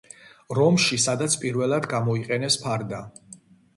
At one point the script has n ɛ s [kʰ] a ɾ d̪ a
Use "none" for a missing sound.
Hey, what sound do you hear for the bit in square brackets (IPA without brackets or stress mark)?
pʰ